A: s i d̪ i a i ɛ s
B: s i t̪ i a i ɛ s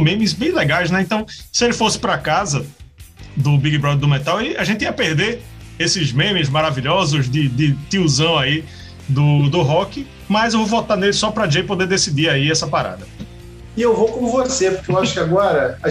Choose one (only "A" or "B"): A